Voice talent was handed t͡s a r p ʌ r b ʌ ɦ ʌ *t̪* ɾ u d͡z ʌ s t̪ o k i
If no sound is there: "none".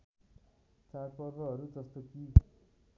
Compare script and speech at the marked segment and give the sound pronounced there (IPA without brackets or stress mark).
none